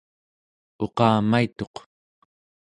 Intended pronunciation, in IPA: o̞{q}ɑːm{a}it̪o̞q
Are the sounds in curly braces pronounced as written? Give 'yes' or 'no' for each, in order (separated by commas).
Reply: yes, yes